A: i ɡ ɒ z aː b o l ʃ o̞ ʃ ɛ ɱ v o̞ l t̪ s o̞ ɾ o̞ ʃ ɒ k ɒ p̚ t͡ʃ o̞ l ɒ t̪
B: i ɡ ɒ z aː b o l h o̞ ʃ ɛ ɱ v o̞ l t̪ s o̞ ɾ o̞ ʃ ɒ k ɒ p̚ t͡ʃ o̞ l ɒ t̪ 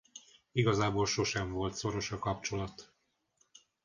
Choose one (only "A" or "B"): A